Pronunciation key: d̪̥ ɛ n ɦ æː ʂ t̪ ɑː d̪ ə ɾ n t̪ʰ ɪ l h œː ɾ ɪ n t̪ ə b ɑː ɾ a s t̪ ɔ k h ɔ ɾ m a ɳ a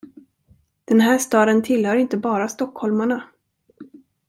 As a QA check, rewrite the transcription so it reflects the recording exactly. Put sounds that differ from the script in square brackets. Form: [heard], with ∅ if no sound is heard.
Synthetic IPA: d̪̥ ɛ n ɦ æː ʂ t̪ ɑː d̪ ə [∅] n t̪ʰ ɪ l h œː ɾ ɪ n t̪ ə b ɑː ɾ a s t̪ ɔ k h ɔ [l] m a ɳ a